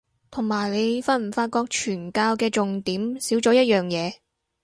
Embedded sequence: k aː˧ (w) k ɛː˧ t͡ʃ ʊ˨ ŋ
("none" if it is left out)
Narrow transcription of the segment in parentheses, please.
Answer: w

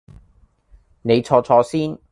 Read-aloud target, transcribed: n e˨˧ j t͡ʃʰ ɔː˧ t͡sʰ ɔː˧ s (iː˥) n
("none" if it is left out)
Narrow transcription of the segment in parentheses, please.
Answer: iː˥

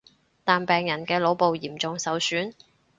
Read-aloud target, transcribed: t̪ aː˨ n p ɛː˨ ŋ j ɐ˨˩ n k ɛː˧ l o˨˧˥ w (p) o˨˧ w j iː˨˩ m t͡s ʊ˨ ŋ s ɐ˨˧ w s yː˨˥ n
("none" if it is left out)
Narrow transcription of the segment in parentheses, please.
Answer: p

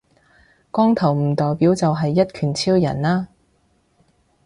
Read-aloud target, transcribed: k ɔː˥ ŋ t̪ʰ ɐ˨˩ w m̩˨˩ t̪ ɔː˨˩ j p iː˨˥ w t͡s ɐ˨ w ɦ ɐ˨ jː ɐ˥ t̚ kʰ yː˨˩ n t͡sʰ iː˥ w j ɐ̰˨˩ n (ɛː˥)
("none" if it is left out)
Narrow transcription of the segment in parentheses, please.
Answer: aː˥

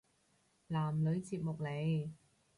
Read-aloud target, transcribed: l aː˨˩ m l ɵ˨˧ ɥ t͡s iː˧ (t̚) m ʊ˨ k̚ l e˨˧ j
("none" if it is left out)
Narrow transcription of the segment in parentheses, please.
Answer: p̚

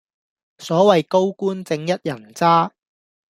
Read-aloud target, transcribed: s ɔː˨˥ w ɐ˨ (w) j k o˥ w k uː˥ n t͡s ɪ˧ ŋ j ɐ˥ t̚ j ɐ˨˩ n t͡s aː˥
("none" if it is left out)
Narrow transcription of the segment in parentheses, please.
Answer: none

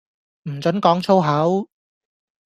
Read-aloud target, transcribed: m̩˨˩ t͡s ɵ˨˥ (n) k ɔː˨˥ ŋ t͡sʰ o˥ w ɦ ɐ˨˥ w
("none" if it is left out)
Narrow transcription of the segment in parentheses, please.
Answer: n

